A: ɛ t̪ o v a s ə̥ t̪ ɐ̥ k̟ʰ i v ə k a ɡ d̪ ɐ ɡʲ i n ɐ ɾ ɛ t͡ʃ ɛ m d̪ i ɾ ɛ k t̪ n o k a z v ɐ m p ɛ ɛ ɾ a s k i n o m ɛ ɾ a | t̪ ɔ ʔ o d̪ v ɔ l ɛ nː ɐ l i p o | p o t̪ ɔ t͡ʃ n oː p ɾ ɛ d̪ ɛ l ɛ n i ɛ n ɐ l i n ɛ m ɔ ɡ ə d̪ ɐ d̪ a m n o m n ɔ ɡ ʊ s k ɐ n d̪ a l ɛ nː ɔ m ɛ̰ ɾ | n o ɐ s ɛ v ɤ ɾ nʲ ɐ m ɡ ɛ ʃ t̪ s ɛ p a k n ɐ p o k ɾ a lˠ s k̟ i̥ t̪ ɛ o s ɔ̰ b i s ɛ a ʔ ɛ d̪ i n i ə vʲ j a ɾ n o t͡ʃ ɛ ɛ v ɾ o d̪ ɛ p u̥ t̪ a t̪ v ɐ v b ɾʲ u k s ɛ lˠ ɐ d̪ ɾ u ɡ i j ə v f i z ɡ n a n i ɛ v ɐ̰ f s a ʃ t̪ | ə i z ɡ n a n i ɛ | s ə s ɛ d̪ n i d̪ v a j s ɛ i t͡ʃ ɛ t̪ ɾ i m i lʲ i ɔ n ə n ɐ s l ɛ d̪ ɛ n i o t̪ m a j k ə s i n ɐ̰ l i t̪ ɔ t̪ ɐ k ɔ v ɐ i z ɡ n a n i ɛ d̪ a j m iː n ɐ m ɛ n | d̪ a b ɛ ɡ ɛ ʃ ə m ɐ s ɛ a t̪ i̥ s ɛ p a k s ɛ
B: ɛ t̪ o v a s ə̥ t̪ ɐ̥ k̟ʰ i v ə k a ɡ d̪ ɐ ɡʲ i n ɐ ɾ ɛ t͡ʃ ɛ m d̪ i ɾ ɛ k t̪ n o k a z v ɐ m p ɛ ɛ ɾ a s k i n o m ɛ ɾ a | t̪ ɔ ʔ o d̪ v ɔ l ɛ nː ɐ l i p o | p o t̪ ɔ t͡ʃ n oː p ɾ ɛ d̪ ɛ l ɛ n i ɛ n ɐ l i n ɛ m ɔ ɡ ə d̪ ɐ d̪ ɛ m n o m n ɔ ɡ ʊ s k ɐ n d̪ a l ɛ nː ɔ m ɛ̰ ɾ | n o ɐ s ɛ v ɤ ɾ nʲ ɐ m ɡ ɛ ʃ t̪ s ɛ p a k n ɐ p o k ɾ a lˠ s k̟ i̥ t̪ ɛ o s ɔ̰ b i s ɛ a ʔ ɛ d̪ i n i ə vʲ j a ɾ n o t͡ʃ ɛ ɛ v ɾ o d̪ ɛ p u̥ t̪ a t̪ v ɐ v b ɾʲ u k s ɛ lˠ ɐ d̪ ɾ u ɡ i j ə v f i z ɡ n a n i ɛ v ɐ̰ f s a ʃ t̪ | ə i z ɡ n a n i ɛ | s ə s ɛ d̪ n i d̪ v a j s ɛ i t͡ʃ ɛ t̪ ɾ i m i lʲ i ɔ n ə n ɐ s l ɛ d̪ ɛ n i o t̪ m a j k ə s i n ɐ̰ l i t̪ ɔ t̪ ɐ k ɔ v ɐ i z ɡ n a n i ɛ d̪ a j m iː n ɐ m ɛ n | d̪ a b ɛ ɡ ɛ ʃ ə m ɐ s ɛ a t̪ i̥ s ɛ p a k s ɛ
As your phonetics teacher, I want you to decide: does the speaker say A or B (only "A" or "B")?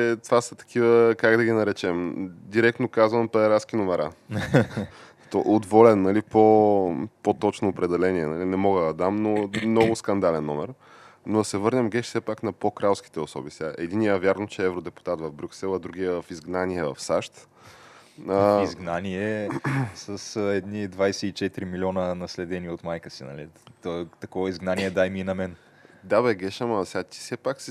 A